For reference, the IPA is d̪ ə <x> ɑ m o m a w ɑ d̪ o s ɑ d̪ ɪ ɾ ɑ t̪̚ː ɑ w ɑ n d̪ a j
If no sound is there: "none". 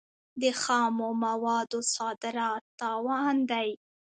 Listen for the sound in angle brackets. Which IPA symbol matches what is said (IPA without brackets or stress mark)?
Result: x